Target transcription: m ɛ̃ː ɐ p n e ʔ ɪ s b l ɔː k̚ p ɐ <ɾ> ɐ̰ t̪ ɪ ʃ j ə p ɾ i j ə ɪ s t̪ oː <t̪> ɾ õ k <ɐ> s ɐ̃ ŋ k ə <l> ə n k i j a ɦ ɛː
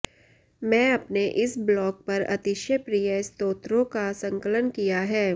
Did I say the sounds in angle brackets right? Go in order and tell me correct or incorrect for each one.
correct, correct, incorrect: a, correct

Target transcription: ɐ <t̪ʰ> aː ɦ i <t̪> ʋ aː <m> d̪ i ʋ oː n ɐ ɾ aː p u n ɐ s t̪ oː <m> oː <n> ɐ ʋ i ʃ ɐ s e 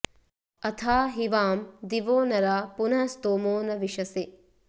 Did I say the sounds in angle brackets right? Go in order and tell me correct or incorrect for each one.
correct, incorrect: none, correct, correct, correct

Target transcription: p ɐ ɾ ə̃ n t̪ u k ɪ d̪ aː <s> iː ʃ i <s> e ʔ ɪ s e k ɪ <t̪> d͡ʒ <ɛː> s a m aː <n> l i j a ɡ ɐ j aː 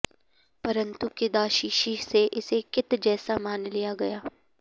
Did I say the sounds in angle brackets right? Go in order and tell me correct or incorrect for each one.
incorrect: ʃ, correct, correct, correct, correct

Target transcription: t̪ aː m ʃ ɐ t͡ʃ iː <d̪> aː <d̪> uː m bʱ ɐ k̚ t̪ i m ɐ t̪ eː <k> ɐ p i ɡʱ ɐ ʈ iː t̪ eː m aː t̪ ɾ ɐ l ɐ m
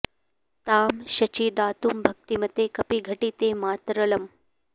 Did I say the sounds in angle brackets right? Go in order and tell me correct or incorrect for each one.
correct, incorrect: t̪, correct

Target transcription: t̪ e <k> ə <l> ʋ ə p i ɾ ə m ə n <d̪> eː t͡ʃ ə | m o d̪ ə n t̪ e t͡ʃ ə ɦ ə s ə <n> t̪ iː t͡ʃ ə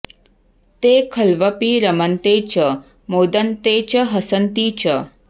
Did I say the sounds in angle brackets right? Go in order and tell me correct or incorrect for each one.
incorrect: kʰ, correct, incorrect: t̪, correct

